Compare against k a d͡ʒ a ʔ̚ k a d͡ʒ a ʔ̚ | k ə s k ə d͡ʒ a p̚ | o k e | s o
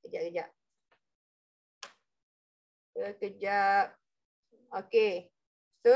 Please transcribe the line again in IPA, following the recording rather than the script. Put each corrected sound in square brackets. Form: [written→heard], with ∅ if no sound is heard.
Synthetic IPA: k [a→ə] d͡ʒ a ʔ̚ k [a→ə] d͡ʒ a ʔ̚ | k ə [s→∅] k ə d͡ʒ a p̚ | o k e | s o